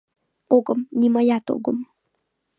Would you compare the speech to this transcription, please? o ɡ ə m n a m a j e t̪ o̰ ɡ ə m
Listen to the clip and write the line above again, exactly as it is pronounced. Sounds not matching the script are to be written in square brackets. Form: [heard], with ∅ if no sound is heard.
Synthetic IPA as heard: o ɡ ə m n [i] m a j [a] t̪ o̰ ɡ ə m